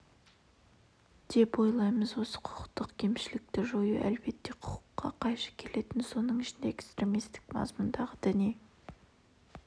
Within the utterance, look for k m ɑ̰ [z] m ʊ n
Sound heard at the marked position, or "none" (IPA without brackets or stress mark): z